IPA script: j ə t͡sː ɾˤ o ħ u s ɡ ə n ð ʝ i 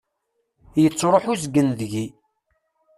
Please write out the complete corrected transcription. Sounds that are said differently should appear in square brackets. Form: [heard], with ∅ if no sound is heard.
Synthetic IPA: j ə t͡sː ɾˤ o ħ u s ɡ ə n ð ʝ i